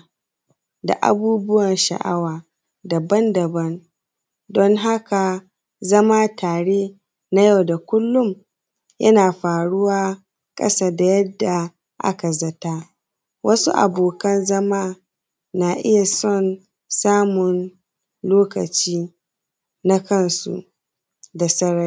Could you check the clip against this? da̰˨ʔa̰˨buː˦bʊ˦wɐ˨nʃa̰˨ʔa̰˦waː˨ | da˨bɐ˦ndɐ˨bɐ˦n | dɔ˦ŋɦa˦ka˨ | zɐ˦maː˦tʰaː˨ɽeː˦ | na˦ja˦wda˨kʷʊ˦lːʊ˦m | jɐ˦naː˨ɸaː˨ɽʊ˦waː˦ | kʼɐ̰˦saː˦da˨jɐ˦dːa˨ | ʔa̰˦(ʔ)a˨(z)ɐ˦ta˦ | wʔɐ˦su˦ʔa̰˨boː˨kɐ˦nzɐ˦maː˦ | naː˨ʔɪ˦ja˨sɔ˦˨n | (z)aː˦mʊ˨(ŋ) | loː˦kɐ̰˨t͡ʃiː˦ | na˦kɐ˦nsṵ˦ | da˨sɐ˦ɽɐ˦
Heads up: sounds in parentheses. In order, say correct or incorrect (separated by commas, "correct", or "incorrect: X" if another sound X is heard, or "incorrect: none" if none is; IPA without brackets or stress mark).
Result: incorrect: k, correct, incorrect: s, incorrect: n